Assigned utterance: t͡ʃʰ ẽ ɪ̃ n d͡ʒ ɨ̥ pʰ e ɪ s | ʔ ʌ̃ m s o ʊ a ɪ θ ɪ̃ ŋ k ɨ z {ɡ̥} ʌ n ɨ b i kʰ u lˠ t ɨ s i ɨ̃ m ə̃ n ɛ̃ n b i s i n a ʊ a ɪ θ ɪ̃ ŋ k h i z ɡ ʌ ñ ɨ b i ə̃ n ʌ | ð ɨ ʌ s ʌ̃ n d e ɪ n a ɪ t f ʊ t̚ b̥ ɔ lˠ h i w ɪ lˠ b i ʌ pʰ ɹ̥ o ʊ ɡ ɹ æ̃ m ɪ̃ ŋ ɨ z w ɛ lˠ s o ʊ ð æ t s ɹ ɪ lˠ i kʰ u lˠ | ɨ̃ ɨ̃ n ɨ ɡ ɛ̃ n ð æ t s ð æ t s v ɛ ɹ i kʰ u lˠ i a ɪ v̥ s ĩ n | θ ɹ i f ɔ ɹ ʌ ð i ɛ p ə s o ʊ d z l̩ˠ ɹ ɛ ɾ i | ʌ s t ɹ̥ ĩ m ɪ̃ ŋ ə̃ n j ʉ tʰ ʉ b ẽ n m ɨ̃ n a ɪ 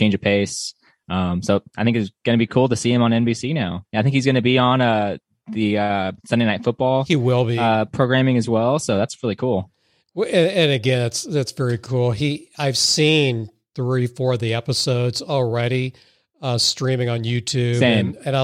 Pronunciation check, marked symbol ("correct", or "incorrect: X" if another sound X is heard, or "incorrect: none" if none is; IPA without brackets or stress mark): correct